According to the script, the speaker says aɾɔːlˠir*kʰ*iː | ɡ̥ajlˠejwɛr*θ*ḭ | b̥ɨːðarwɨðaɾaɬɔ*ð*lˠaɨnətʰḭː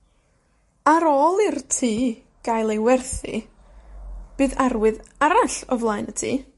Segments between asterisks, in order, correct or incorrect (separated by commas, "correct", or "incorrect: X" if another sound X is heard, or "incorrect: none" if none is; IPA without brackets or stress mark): incorrect: tʰ, correct, incorrect: v